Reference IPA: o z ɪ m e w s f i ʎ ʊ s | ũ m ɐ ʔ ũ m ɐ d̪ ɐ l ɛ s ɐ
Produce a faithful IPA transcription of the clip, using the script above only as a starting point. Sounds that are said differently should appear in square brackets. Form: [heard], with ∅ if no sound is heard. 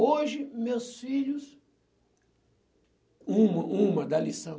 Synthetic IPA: o [ʒ] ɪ m e w s f i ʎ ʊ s | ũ m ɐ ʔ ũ m ɐ d̪ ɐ l [i] s [ɐ̃]